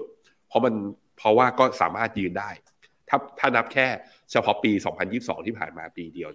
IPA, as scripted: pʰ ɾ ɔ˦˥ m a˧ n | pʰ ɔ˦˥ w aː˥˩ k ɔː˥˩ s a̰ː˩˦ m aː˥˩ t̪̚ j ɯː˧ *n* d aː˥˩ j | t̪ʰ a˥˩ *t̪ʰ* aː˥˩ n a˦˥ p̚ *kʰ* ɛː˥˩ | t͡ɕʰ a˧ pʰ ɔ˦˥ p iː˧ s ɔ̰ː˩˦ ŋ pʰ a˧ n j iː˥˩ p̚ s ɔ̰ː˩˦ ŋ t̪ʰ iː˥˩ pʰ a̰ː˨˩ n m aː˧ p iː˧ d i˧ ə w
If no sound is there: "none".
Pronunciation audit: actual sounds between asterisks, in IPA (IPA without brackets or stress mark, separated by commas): n, t̪ʰ, kʰ